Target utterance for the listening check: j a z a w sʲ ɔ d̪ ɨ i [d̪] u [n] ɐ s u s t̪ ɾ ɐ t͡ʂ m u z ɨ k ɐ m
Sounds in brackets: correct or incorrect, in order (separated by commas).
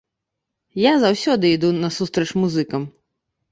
correct, correct